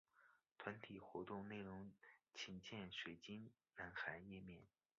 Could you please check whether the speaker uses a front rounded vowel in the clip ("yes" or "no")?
no